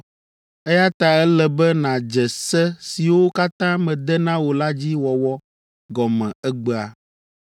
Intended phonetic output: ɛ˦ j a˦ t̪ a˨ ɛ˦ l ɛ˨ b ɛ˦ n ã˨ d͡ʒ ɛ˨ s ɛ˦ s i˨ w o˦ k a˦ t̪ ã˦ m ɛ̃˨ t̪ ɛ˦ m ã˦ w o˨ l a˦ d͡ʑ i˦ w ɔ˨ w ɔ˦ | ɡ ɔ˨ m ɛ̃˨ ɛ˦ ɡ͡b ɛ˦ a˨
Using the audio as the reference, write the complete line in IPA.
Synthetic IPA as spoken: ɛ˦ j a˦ t̪ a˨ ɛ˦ l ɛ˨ b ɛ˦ n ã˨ d͡ʒ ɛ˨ s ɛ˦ s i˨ w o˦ k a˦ t̪ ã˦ m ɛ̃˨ d̪ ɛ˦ n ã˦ w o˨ l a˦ d͡ʑ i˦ w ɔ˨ w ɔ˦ | ɡ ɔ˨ m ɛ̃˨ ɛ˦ ɡ͡b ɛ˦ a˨